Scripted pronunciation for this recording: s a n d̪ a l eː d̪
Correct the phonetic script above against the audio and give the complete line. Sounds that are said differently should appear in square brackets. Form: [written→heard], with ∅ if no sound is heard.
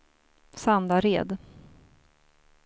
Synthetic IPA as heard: s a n d̪ a [l→ɾ] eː d̪